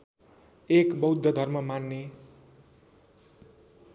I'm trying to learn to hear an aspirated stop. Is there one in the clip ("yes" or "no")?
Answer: no